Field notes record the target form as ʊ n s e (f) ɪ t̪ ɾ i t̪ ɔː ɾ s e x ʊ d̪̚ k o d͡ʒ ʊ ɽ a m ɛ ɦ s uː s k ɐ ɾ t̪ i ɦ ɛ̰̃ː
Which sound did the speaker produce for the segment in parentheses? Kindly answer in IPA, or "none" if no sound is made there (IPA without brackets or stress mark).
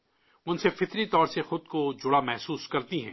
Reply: f